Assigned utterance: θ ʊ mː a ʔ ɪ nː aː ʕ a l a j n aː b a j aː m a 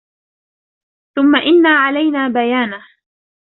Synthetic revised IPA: θ ʊ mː a ʔ ɪ nː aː ʕ a l a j n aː b a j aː n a